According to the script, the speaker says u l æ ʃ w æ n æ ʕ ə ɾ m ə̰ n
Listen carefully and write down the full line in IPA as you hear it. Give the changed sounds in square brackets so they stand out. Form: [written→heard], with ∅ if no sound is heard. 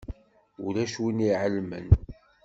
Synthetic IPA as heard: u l æ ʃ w [æ→i] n [æ→i] ʕ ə [ɾ→l] m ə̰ n